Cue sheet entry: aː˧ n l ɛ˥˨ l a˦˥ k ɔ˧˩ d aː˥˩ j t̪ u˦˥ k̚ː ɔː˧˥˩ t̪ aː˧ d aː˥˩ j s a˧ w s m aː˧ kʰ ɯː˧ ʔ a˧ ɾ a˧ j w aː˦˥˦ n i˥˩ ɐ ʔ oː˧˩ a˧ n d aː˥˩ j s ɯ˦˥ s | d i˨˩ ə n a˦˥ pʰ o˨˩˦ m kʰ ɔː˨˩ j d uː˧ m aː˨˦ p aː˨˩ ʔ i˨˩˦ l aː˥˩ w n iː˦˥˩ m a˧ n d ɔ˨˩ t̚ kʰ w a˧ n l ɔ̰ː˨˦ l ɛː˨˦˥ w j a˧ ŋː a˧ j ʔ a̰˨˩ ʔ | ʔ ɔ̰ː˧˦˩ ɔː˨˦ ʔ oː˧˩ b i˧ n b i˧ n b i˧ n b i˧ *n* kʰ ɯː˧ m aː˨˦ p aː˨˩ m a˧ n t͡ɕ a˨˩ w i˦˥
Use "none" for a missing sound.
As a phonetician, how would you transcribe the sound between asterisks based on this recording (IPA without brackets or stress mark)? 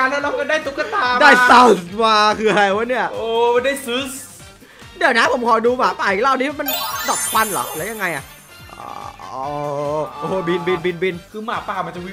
n